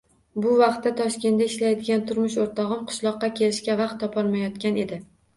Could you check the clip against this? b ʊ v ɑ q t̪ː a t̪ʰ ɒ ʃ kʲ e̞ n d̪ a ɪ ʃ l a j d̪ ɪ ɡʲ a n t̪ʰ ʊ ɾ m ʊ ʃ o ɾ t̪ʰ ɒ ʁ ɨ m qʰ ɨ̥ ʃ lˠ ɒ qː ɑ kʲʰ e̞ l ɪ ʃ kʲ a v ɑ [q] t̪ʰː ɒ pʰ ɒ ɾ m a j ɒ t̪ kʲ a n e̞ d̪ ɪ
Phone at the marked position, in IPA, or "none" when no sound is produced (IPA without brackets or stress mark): q